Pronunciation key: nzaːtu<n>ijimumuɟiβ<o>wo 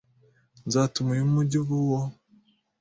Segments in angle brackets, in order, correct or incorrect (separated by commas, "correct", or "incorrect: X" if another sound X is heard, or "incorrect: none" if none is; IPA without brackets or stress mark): incorrect: m, incorrect: u